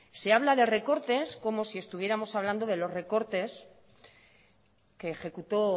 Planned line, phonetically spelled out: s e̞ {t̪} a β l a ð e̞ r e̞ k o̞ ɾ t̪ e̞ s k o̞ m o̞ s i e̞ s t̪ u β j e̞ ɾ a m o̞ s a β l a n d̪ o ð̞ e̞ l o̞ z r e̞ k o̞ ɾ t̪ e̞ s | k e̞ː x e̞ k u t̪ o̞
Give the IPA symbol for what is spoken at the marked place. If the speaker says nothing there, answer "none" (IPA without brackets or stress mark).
none